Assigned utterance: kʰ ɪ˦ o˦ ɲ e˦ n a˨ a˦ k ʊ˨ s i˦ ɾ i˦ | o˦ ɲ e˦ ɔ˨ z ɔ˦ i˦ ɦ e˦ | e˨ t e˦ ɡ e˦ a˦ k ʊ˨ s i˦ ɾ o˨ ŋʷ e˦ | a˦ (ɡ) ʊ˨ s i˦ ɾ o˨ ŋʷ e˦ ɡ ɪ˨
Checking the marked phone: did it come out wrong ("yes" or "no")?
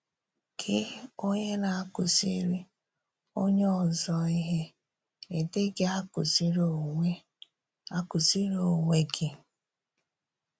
yes